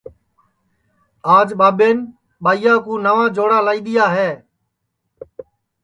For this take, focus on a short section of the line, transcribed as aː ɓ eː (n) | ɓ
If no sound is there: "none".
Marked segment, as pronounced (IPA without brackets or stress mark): n